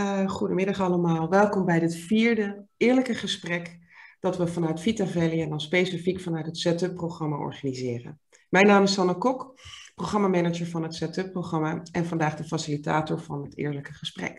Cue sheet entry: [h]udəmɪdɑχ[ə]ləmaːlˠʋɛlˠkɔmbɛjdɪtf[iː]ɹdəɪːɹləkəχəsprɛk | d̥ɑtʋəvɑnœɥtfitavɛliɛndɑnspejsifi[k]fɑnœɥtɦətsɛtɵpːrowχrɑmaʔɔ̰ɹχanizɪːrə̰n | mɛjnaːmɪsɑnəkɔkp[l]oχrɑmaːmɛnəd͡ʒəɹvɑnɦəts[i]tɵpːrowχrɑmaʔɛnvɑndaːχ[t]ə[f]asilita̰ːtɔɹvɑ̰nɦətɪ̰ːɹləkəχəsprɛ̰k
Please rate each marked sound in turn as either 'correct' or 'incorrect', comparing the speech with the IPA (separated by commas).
incorrect, incorrect, correct, correct, incorrect, incorrect, incorrect, correct